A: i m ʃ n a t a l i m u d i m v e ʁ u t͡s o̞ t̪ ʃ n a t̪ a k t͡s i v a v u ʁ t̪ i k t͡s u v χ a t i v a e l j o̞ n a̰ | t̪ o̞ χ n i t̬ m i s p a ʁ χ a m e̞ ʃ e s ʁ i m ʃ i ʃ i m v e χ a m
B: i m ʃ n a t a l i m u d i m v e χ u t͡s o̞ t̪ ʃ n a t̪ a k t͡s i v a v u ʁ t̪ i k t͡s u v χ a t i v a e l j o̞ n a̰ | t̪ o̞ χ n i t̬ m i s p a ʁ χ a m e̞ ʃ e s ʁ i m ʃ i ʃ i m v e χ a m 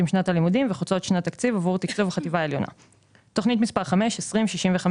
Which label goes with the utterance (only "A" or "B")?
B